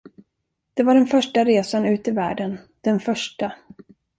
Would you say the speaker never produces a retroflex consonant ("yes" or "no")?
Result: no